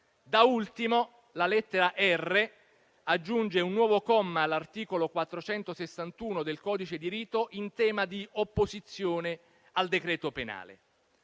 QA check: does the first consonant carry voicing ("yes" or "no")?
yes